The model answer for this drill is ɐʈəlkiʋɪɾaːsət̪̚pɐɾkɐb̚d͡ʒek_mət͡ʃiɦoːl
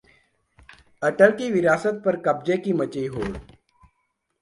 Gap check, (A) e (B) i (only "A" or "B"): B